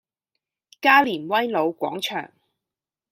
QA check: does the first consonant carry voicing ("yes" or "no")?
no